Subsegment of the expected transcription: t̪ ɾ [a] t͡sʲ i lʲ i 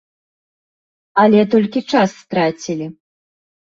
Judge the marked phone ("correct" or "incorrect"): correct